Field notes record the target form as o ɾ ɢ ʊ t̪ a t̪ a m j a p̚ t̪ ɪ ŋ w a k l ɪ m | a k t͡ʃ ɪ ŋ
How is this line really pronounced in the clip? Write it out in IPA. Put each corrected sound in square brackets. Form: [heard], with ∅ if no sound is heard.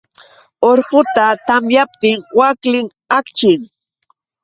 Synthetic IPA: o ɾ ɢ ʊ t̪ a t̪ a m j a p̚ t̪ ɪ ŋ w a k l ɪ [ŋ] | a k t͡ʃ ɪ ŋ